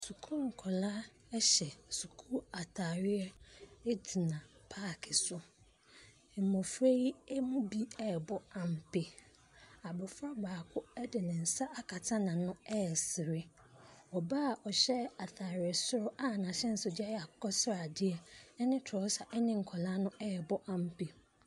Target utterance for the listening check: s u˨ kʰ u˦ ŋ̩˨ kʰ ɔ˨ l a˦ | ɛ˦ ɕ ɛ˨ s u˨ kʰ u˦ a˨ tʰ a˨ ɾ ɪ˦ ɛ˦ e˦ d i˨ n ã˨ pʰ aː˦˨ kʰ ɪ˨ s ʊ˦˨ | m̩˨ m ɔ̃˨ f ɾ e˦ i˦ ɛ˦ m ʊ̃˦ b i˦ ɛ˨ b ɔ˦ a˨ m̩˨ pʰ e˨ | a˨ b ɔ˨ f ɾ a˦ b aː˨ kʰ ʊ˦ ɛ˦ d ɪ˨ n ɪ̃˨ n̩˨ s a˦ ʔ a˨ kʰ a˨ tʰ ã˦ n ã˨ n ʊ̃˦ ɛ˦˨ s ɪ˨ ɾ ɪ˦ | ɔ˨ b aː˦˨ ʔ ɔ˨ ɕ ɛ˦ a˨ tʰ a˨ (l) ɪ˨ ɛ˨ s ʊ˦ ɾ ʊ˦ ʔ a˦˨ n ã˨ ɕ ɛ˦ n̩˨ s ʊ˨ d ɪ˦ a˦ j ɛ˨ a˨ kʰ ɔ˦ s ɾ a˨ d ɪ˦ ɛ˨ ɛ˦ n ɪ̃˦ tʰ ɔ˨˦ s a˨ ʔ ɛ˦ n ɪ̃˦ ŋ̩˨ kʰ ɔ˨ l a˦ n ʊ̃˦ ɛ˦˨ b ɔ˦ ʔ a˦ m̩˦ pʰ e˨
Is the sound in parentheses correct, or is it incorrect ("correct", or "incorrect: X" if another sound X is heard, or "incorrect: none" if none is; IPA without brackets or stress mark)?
incorrect: ɾ